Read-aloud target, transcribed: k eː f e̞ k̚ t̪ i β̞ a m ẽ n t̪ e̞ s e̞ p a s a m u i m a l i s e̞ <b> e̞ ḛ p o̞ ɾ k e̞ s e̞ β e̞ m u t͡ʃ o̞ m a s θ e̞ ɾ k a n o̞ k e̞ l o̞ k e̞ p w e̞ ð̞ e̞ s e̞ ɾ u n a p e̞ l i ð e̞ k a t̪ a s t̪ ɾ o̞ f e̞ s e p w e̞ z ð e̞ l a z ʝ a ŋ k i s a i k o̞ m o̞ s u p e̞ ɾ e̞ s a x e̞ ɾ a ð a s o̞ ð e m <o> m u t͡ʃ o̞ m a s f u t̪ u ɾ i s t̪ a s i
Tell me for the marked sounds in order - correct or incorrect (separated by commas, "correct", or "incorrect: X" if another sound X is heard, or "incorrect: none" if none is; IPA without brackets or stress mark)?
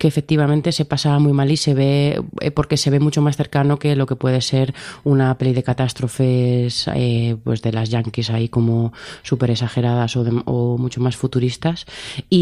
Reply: incorrect: β, correct